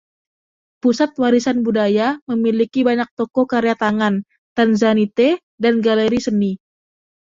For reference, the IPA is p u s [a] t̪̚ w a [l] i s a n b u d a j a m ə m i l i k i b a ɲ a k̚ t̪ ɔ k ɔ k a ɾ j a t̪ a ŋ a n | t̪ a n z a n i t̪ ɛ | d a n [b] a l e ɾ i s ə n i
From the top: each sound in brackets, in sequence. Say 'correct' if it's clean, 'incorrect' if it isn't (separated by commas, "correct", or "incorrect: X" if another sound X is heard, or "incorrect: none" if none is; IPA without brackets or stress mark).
correct, incorrect: ɾ, incorrect: ɡ